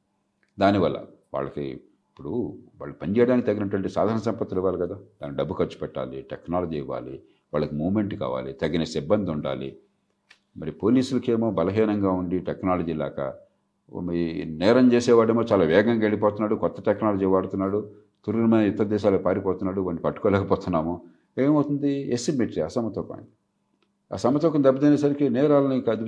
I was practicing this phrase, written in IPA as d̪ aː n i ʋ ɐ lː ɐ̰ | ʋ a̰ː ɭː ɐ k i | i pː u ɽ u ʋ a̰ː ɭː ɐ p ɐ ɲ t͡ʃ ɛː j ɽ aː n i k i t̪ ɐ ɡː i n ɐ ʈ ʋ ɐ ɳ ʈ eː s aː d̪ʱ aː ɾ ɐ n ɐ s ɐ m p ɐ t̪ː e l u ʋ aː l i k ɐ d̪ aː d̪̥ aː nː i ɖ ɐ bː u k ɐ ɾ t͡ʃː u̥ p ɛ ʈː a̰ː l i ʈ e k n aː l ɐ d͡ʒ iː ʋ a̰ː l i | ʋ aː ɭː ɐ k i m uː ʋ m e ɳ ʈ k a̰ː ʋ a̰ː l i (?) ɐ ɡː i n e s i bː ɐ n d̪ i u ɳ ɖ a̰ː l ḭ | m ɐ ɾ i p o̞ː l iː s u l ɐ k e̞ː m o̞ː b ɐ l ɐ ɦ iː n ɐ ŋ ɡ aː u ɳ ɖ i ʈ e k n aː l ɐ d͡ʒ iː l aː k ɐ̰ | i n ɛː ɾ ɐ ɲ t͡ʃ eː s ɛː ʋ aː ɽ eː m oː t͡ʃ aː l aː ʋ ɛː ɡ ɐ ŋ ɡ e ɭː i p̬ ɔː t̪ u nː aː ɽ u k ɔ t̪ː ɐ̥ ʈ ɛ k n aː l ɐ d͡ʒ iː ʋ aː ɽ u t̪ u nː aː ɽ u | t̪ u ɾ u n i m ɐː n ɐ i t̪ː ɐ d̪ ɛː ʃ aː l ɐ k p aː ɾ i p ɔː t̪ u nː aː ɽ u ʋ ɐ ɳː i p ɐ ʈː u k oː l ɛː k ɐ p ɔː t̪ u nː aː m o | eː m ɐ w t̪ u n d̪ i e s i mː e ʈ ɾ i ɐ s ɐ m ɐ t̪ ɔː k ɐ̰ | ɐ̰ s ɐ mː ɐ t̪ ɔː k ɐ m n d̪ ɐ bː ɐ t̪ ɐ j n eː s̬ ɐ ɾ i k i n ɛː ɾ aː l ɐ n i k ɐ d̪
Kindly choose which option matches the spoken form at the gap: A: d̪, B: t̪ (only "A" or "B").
B